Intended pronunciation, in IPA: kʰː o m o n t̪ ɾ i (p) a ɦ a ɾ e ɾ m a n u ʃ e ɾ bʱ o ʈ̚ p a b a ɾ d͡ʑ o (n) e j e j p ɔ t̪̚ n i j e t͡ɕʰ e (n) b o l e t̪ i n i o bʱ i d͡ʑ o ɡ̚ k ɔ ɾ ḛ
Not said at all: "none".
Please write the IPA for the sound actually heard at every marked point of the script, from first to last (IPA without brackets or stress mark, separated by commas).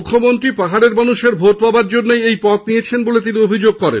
p, nː, n